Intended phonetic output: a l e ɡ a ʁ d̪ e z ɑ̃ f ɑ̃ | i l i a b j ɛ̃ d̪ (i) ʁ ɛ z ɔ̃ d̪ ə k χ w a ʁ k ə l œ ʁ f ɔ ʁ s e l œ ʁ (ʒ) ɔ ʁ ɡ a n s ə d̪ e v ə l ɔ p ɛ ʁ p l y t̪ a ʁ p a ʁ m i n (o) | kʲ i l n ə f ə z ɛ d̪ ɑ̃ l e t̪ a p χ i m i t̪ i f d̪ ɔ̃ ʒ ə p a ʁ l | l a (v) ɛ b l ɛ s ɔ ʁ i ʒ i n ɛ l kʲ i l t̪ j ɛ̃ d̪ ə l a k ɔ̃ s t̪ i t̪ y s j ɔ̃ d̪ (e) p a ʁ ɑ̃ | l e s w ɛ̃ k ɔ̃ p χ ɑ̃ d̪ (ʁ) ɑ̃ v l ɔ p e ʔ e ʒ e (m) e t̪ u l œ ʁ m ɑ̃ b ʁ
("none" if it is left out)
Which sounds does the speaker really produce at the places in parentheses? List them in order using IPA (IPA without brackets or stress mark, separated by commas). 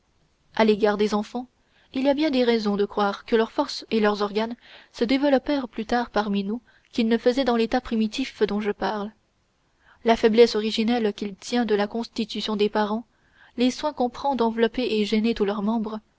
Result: e, z, u, f, e, ʁ, n